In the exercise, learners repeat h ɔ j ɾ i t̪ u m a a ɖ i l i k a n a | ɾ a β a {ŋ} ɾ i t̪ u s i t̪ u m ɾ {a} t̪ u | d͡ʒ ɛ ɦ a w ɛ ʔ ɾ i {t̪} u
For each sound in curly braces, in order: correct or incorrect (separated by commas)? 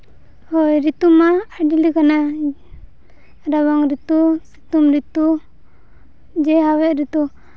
correct, incorrect, correct